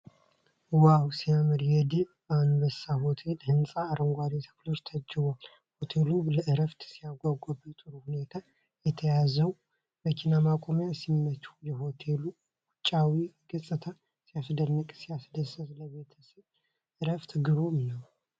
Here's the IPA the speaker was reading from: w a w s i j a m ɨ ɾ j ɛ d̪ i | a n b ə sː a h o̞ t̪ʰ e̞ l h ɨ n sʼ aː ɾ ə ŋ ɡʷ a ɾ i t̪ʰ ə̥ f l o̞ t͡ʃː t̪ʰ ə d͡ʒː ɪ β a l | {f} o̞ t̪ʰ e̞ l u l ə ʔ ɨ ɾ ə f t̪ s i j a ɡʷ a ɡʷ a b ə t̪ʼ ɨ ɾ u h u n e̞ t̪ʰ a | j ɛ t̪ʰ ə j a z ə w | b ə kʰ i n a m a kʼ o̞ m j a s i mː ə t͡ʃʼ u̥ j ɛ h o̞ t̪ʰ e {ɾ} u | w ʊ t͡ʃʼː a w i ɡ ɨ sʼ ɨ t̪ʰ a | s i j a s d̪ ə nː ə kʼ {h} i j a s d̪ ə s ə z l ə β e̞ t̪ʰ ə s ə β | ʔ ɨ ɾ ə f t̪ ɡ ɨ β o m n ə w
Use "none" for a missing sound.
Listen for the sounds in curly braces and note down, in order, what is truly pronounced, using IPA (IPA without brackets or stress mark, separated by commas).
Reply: h, l, s